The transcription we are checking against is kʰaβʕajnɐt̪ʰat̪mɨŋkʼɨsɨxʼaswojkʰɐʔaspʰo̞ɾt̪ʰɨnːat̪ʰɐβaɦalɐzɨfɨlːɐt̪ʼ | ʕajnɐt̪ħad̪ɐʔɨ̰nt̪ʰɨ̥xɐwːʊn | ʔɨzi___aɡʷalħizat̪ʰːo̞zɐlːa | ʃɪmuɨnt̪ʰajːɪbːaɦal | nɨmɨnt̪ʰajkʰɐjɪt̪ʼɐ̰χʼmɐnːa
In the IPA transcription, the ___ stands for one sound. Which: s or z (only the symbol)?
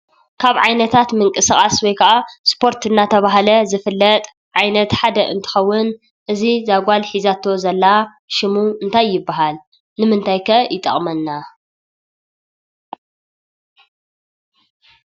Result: z